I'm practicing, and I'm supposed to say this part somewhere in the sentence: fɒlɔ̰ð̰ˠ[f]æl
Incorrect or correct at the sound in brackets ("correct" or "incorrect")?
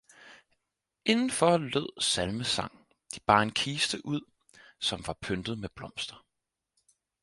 incorrect